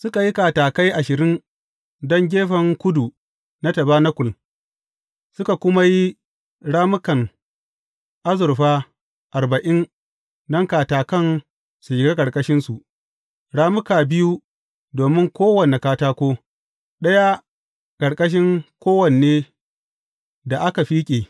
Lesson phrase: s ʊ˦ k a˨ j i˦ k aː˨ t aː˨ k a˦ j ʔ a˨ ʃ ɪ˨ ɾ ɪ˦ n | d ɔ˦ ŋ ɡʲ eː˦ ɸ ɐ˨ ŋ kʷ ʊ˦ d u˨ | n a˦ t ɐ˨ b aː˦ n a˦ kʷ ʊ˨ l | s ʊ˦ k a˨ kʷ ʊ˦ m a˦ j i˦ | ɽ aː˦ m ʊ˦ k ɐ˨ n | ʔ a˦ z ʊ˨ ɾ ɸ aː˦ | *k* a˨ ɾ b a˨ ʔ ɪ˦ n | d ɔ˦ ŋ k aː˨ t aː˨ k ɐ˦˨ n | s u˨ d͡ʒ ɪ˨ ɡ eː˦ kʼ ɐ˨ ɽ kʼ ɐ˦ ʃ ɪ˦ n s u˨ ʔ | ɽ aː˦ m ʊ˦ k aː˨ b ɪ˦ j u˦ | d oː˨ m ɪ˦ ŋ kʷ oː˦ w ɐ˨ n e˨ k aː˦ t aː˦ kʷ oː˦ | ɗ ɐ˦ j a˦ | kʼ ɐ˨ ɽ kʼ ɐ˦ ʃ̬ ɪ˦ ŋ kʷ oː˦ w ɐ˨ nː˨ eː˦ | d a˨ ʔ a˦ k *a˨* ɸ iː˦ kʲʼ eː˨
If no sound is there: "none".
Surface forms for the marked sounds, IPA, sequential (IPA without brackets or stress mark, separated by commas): ʔ, a˨